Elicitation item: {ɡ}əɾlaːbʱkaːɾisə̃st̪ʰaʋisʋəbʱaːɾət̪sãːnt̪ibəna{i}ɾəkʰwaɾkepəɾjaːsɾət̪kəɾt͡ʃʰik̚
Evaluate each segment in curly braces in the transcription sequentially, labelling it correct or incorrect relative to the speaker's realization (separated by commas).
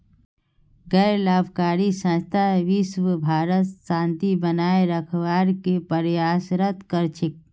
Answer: correct, incorrect